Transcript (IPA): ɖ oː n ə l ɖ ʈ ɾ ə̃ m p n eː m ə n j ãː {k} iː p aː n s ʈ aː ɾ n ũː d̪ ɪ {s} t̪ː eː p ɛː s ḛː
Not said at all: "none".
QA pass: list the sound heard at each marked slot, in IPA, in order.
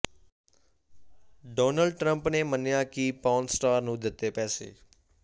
k, none

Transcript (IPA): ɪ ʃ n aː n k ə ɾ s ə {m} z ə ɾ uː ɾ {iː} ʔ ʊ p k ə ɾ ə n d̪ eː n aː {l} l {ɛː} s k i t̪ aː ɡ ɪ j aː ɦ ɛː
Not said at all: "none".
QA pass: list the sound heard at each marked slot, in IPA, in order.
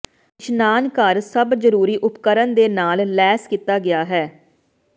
b, iː, l, ɛː

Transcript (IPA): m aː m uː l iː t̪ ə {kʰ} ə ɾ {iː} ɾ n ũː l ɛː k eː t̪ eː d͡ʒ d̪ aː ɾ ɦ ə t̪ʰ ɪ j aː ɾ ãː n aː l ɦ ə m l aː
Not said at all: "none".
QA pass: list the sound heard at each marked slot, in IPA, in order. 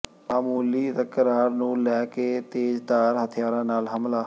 k, aː

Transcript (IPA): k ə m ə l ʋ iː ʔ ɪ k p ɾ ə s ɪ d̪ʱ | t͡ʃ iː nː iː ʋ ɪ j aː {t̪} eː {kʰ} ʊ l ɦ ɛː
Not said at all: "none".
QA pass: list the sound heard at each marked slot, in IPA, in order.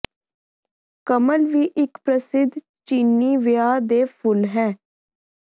d̪, pʰ

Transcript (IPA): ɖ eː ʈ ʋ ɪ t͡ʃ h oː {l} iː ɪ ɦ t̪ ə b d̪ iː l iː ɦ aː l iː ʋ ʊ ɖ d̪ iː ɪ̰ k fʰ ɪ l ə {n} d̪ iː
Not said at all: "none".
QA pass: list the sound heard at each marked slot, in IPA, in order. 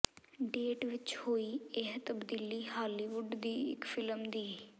none, m

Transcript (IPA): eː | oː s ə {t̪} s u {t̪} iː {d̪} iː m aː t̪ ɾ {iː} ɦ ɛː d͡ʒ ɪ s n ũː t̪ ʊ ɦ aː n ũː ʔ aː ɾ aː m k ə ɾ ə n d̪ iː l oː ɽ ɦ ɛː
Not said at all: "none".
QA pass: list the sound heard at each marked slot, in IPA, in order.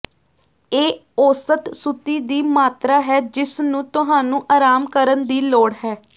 t̪, t̪, d̪, aː

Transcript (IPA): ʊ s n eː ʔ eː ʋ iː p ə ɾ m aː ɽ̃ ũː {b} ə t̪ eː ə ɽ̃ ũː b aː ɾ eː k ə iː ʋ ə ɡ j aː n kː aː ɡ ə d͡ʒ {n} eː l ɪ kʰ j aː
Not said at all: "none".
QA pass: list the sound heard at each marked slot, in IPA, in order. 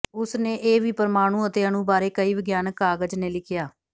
none, n

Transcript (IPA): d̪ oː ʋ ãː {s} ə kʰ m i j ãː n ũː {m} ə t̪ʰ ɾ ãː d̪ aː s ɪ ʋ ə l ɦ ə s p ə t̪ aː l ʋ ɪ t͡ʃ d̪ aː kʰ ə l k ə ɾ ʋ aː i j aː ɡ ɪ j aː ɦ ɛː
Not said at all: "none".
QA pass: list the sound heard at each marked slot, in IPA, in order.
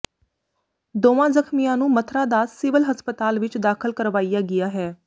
z, m

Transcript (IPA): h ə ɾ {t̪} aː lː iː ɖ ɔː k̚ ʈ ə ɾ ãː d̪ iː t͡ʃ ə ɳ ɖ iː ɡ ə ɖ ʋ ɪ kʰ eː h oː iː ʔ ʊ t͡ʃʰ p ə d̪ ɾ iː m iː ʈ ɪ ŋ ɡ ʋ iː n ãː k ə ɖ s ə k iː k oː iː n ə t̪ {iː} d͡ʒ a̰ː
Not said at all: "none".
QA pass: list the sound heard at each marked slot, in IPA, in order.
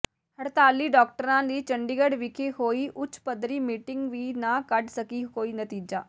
t̪, iː

